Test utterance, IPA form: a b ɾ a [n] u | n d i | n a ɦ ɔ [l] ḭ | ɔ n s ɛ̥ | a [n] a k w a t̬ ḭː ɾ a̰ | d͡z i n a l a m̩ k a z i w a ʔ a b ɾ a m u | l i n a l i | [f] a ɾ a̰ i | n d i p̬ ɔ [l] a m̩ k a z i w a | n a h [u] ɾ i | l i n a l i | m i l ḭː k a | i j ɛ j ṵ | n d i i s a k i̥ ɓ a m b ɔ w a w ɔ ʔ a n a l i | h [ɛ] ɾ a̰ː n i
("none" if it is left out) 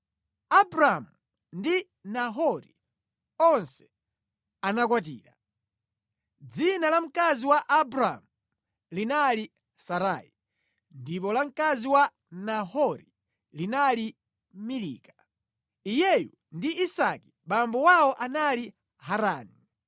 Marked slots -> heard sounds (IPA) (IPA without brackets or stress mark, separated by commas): m, ɾ, n, s, l, ɔ, a